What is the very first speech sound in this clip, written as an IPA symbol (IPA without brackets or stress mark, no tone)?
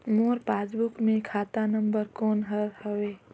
m